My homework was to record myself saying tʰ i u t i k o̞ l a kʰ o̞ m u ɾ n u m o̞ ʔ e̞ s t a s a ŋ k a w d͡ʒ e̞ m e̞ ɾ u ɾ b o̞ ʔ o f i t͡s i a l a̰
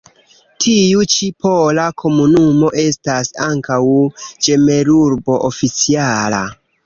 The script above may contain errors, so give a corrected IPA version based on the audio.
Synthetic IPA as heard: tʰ i u t͡ʃ i p o̞ l a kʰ o̞ m u n u m o̞ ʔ e̞ s t a s a ŋ k a w d͡ʒ e̞ m e̞ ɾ u ɾ b o̞ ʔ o f i t͡s i a l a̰